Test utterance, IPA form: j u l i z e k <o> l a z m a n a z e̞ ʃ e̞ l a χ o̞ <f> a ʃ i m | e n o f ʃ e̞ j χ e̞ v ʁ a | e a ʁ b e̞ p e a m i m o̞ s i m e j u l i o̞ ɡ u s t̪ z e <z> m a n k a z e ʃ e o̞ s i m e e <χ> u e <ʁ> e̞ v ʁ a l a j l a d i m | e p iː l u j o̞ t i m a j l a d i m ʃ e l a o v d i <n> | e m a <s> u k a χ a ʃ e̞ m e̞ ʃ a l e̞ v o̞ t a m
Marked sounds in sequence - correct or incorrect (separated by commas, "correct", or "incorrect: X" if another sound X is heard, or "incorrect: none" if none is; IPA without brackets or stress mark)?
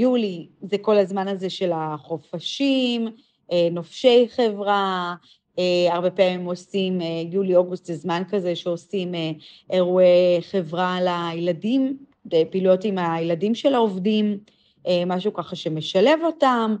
correct, correct, correct, incorrect: ʁ, incorrect: χ, incorrect: m, incorrect: ʃ